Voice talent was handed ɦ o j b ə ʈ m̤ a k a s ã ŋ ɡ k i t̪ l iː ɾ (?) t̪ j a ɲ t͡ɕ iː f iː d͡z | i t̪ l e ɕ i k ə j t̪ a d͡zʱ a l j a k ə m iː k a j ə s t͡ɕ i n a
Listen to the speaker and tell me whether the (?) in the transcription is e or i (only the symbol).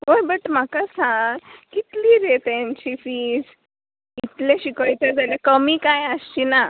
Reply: e